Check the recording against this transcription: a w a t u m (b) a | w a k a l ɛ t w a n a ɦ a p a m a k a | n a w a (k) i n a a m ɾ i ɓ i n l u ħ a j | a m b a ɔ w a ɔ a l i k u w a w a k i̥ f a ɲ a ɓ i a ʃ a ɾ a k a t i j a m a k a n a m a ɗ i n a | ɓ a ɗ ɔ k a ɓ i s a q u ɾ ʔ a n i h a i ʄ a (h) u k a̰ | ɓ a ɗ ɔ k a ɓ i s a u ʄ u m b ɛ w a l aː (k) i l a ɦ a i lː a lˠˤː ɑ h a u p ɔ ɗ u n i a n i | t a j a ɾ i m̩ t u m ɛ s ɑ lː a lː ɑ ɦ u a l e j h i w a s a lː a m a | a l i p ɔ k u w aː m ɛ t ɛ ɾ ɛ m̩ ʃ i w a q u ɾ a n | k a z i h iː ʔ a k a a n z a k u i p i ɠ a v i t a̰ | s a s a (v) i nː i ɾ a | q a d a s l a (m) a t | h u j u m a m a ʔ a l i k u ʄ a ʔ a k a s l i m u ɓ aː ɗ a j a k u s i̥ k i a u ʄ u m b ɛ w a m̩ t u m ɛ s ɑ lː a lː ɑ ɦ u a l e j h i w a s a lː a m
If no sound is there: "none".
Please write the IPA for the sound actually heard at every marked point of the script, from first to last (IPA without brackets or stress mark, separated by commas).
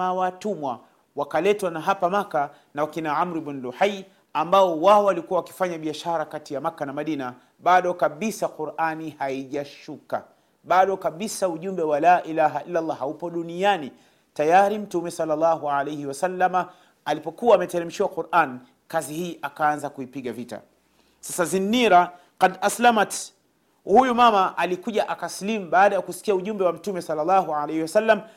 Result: w, k, ʃ, ʔ, z, m